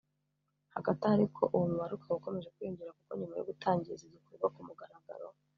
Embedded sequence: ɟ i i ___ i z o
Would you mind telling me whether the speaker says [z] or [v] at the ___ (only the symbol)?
z